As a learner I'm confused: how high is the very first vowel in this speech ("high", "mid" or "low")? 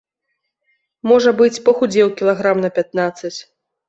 mid